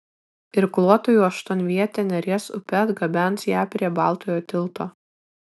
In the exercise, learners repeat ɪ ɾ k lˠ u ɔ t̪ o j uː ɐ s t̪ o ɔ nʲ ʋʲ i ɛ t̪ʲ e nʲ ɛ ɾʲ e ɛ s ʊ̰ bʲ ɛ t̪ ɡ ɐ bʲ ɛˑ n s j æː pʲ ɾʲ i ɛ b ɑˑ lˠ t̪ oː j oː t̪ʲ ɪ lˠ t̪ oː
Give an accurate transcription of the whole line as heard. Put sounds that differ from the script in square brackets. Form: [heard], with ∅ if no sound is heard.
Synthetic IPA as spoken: ɪ ɾ k lˠ u ɔ t̪ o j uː ɐ [ʃ] t̪ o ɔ nʲ ʋʲ i ɛ t̪ʲ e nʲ ɛ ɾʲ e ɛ s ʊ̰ [pʲ] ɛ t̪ ɡ ɐ bʲ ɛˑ n s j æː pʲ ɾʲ i ɛ b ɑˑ lˠ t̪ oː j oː t̪ʲ ɪ lˠ t̪ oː